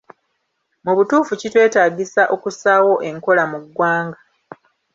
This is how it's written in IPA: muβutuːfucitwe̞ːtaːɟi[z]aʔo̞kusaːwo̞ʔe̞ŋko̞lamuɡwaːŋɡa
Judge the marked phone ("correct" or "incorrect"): incorrect